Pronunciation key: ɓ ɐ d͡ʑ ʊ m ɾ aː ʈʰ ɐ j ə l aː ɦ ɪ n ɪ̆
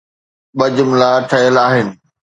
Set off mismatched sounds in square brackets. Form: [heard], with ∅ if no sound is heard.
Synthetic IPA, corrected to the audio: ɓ ɐ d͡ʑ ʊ m [l] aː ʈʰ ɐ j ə l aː ɦ ɪ n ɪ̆